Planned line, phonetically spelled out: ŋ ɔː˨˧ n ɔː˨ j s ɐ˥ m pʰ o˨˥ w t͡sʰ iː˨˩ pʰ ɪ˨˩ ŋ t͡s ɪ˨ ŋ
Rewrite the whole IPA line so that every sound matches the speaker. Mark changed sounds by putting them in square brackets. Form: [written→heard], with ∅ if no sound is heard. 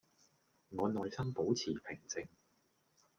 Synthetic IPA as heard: ŋ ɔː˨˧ n ɔː˨ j s ɐ˥ m [pʰ→p] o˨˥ w t͡sʰ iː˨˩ pʰ ɪ˨˩ ŋ t͡s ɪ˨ ŋ